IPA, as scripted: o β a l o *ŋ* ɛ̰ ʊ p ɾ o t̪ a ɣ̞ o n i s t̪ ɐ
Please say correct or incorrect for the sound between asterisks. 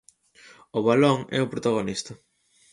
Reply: correct